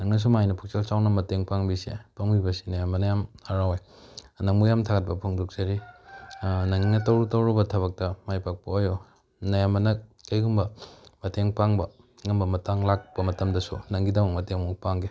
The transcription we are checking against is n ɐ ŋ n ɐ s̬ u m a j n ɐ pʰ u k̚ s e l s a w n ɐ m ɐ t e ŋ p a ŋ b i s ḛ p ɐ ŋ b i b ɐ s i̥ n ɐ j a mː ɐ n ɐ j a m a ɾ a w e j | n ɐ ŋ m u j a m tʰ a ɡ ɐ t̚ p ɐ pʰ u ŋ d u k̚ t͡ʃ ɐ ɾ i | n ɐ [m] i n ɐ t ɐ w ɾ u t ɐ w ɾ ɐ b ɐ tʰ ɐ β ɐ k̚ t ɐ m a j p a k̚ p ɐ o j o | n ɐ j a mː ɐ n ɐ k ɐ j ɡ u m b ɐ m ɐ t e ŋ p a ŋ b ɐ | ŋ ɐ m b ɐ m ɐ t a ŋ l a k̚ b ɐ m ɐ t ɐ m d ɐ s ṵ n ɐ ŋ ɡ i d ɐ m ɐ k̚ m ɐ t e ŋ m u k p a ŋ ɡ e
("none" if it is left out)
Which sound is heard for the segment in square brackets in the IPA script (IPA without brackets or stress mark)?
ŋ